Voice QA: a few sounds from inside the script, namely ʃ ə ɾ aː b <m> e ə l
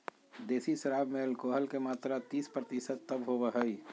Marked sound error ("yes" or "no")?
no